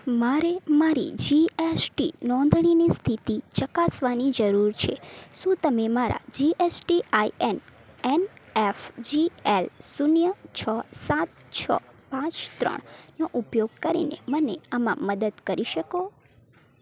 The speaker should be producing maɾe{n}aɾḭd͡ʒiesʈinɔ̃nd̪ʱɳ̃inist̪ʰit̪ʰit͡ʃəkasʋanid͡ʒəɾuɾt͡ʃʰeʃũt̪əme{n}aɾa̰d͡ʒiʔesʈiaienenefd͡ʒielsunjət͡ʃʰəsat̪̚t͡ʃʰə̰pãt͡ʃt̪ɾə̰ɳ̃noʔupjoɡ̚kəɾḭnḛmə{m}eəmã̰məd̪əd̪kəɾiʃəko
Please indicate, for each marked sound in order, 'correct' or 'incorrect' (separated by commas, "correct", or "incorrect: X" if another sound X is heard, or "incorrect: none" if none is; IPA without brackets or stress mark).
incorrect: m, incorrect: m, incorrect: n